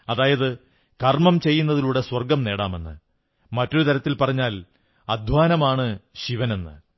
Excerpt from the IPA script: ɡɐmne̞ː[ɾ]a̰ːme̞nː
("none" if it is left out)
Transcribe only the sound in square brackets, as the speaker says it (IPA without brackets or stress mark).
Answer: ɽ